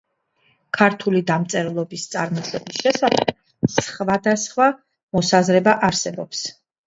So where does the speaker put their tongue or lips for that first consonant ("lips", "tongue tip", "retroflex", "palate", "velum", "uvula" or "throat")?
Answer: velum